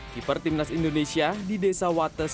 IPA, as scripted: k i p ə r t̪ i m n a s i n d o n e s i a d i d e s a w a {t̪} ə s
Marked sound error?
no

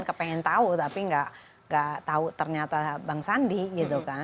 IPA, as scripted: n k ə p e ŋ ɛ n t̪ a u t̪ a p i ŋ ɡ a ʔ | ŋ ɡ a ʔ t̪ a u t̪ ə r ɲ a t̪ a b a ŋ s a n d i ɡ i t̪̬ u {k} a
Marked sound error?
no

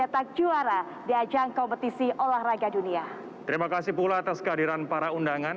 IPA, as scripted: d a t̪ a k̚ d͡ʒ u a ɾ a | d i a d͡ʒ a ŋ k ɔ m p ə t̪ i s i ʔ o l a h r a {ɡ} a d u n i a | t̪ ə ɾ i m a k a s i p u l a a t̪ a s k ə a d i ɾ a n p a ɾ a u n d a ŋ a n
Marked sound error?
no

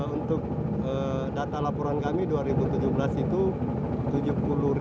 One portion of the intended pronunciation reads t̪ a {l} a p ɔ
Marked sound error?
no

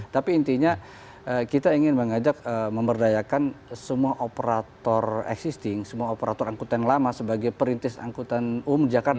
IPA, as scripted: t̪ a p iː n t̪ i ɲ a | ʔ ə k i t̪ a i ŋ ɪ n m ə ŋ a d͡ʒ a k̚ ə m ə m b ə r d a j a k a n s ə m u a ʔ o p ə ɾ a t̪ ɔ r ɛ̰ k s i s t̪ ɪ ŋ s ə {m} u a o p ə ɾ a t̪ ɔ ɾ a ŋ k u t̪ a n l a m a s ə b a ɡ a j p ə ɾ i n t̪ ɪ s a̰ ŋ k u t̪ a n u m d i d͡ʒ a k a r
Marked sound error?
no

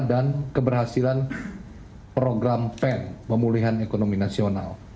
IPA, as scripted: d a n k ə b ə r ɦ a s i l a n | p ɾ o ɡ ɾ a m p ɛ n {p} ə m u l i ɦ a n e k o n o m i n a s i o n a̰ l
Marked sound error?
no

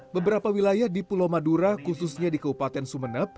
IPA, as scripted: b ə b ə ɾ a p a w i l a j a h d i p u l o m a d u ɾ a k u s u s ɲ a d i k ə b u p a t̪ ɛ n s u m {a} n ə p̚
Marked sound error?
yes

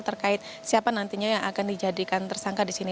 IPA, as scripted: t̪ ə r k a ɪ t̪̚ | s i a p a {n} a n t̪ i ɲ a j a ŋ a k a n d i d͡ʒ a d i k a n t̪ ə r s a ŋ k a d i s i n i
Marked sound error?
no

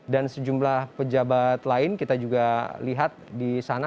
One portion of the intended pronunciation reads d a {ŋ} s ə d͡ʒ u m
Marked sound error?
yes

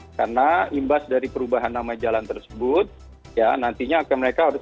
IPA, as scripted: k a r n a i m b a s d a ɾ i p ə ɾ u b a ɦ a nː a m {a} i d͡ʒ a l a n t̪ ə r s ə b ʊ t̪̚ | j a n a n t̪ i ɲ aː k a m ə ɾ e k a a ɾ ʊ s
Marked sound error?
no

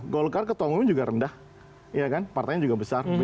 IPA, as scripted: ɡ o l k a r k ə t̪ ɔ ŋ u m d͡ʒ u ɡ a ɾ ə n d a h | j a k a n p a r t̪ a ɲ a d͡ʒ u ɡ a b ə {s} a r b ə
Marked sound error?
no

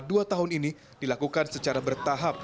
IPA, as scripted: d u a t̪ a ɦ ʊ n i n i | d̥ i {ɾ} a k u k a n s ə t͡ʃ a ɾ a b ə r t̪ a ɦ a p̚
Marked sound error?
yes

